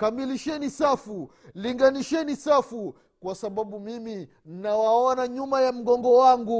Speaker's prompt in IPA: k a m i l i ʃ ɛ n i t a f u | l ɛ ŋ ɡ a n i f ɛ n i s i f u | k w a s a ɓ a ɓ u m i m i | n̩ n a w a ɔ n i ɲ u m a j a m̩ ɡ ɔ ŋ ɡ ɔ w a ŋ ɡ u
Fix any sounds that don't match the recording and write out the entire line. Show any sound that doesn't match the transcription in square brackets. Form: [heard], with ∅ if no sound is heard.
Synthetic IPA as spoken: k a m i l i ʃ ɛ n i [s] a f u | l [i] ŋ ɡ a n i [ʃ] ɛ n i s [a] f u | k w a s a ɓ a ɓ u m i m i | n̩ n a w a ɔ n [a] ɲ u m a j a m̩ ɡ ɔ ŋ ɡ ɔ w a ŋ ɡ u